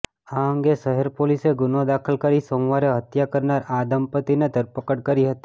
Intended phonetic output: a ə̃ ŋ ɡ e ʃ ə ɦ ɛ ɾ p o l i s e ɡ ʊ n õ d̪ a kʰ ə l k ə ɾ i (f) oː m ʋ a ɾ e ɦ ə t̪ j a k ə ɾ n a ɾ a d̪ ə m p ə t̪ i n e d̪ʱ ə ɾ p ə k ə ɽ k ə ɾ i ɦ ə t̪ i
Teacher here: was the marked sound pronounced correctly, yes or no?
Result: no